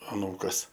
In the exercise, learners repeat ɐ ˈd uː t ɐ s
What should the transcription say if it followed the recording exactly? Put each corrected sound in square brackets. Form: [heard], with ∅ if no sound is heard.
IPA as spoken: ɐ [ˈn] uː [k] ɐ s

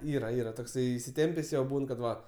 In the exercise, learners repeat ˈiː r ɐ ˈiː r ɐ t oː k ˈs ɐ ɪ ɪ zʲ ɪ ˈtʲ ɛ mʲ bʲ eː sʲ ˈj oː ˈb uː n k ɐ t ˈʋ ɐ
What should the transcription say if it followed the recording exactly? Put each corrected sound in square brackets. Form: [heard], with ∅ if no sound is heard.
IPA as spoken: ˈiː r ɐ ˈiː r ɐ t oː k ˈs ɐ ɪ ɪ [sʲ] ɪ ˈtʲ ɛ mʲ [pʲ] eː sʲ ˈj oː ˈb uː n k ɐ t ˈʋ ɐ

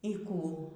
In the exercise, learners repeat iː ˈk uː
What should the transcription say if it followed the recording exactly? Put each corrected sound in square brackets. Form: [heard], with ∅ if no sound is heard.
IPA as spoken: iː ˈk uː

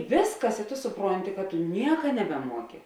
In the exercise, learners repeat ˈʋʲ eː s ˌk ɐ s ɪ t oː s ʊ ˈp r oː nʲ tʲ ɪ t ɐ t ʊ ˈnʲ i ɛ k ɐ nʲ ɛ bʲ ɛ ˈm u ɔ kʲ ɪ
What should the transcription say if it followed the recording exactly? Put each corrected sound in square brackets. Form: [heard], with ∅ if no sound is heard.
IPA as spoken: ˈʋʲ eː s ˌk ɐ s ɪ t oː s ʊ ˈp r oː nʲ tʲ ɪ [k] ɐ t ʊ ˈnʲ i ɛ k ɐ nʲ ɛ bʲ ɛ ˈm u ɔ kʲ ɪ

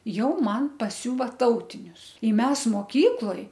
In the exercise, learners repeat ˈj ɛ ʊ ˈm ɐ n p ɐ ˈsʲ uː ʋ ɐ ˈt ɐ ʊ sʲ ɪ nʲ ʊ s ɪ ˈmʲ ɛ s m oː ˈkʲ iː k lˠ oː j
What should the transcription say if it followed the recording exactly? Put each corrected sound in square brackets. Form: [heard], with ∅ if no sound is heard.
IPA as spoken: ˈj ɛ ʊ ˈm ɐ n p ɐ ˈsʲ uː ʋ ɐ ˈt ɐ ʊ [tʲ] ɪ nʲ ʊ s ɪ ˈmʲ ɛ s m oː ˈkʲ iː k lˠ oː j

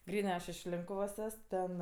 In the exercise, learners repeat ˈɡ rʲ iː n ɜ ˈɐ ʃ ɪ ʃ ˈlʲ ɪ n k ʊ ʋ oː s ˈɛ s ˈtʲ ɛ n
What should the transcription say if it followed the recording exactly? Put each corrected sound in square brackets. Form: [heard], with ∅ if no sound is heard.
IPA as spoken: ˈɡ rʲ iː n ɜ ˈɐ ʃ ɪ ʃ ˈlʲ ɪ [ŋ] k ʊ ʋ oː s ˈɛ s ˈtʲ ɛ n

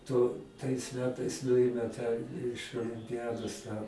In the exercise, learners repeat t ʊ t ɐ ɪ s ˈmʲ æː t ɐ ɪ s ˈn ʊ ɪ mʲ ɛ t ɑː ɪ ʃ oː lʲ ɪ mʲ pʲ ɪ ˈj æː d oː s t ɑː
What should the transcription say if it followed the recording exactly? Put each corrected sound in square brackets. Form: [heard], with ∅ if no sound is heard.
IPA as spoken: t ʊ t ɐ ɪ s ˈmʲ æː t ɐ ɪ s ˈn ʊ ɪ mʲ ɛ t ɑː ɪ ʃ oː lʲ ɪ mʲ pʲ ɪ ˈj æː d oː s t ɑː

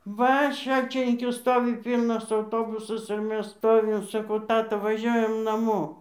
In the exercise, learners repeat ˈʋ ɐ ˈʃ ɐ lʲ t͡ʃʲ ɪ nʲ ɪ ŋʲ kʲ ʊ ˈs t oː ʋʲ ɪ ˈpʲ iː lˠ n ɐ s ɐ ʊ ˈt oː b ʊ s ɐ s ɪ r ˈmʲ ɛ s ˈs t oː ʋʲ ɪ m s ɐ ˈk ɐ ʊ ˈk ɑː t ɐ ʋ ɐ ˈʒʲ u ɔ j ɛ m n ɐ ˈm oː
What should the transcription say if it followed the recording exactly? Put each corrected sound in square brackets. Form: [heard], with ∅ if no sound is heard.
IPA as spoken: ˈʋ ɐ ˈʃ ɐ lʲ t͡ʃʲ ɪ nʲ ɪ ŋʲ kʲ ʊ ˈs t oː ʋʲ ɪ ˈpʲ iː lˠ n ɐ s ɐ ʊ ˈt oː b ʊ s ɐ s ɪ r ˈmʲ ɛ s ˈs t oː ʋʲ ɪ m s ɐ ˈk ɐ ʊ [ˈt] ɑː t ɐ ʋ ɐ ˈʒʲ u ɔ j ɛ m n ɐ ˈm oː

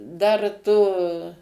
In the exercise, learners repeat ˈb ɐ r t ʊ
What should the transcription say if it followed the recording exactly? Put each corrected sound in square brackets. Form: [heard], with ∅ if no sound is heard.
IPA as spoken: [ˈd] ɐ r t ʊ

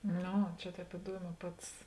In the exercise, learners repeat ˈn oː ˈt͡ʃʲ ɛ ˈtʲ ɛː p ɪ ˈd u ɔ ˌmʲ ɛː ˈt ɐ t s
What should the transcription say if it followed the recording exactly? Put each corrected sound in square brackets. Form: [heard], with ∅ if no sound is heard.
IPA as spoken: ˈn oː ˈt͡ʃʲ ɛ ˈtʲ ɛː p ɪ ˈd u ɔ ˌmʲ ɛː [ˈp] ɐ t s

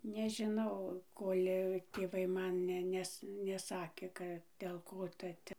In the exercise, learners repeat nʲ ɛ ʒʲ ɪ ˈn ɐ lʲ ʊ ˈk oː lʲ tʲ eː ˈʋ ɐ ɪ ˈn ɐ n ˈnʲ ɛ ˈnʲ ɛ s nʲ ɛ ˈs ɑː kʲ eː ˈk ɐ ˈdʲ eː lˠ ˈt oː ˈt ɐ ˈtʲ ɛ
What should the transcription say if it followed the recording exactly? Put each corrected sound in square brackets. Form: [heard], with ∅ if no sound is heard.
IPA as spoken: nʲ ɛ ʒʲ ɪ ˈn ɐ [∅] ʊ ˈk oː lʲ tʲ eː ˈʋ ɐ ɪ [ˈm] ɐ n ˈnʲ ɛ ˈnʲ ɛ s nʲ ɛ ˈs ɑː kʲ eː ˈk ɐ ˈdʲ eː lˠ [ˈk] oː ˈt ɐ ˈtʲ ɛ

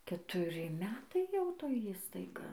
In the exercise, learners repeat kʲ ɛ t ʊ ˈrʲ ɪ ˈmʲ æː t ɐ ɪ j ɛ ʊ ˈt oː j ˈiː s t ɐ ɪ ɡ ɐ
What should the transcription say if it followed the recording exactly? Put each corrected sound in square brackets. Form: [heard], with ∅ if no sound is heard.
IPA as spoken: kʲ ɛ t ʊ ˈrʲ ɪ ˈmʲ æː t ɐ ɪ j ɛ ʊ ˈt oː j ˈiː s t ɐ ɪ ɡ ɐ

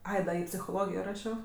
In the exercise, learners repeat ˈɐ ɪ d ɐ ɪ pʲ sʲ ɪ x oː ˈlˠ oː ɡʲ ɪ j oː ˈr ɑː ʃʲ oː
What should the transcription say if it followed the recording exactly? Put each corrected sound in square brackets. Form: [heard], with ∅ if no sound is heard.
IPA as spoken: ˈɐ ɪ d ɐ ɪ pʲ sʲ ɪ x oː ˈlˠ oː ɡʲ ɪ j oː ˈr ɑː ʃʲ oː

